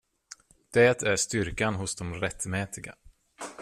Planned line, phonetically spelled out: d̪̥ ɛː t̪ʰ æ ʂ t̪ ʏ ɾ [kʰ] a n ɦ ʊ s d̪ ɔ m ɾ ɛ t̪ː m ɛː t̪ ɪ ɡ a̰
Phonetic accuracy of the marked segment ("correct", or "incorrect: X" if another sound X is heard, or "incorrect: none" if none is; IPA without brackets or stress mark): incorrect: k